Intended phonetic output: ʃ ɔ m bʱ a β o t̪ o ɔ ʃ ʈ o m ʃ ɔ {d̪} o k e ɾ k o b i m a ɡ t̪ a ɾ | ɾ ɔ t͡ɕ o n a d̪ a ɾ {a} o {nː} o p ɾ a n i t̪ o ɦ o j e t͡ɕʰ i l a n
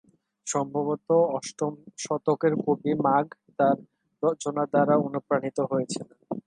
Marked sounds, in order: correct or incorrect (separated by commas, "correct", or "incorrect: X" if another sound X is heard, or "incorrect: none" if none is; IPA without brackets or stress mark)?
incorrect: t̪, correct, incorrect: n